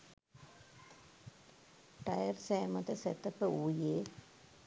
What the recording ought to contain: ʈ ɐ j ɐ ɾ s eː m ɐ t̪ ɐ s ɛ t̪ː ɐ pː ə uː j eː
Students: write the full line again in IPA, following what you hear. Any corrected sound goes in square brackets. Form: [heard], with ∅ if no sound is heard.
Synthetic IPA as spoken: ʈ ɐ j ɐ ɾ s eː m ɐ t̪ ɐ s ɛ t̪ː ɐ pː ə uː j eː